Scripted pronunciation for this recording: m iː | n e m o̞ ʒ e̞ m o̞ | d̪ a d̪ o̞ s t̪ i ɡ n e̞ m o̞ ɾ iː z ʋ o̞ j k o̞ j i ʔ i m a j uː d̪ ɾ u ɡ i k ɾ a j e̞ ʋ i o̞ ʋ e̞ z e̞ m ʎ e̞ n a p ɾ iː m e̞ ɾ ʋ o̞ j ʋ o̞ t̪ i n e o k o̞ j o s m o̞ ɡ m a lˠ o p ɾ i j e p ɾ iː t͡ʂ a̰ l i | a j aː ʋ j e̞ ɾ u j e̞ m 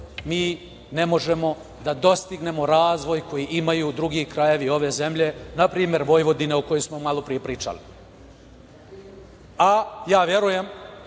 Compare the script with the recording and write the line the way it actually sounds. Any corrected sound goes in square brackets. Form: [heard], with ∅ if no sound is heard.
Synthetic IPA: m iː | n e m o̞ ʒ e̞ m o̞ | d̪ a d̪ o̞ s t̪ i ɡ n e̞ m o̞ ɾ [aː] z ʋ o̞ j k o̞ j i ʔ i m a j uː d̪ ɾ u ɡ i k ɾ a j e̞ ʋ i o̞ ʋ e̞ z e̞ m ʎ e̞ n a p ɾ iː m e̞ ɾ ʋ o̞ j ʋ o̞ [d̪] i n e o k o̞ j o s m o̞ [∅] m a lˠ o p ɾ i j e p ɾ iː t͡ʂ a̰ l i | a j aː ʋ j e̞ ɾ u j e̞ m